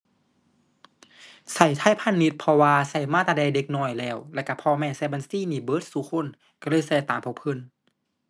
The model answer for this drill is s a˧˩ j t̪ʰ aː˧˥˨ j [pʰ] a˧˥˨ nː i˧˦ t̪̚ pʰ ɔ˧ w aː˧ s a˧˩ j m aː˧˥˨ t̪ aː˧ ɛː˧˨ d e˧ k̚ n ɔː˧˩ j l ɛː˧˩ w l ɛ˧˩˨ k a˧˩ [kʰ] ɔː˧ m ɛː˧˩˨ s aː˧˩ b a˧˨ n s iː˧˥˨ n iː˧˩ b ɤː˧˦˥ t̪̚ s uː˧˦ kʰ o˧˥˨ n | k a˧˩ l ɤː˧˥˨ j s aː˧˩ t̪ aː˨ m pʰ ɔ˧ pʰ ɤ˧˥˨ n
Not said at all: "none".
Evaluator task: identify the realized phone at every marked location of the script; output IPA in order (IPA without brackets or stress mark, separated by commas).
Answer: pʰ, pʰ